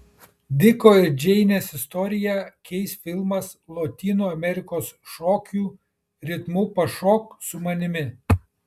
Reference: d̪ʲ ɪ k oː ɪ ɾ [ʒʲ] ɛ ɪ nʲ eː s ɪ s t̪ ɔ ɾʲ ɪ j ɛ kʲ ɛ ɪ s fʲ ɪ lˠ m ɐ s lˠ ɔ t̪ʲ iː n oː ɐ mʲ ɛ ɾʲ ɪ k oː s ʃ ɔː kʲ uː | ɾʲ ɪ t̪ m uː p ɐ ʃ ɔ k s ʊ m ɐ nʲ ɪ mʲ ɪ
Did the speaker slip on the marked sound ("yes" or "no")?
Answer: yes